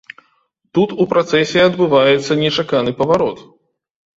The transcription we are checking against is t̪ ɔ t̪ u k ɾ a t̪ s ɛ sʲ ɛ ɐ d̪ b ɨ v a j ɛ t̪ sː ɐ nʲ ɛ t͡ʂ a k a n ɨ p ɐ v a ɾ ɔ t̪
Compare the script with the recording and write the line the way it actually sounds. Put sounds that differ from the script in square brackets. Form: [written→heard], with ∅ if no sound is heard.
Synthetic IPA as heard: t̪ [ɔ→u] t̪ u [k→p] ɾ a t̪ s ɛ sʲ ɛ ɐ d̪ b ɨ v a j ɛ t̪ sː ɐ nʲ ɛ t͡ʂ a k a n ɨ p ɐ v a ɾ ɔ t̪